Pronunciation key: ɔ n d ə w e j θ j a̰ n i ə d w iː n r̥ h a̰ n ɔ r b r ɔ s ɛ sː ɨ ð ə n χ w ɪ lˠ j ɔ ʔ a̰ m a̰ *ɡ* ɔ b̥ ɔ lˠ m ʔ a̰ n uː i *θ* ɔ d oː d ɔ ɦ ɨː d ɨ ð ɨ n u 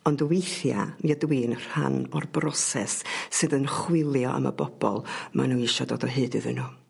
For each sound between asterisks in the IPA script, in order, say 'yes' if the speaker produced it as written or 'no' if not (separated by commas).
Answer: no, no